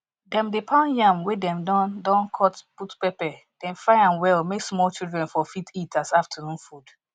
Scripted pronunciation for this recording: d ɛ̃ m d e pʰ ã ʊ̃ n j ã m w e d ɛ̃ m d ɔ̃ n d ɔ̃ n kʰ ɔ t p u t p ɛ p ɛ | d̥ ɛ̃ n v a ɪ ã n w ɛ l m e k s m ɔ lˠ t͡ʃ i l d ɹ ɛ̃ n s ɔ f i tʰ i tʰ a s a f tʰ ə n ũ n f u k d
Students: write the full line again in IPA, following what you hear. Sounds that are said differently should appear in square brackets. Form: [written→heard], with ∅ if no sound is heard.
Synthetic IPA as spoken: d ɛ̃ m d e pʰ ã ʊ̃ n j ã m w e d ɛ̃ m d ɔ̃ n d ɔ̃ n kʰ ɔ t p u t p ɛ p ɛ | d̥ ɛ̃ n [v→f] a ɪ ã n w ɛ l m e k s m ɔ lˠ t͡ʃ i l d ɹ ɛ̃ n [s→f] ɔ f i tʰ i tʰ a s a f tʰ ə n ũ n f u [k→∅] d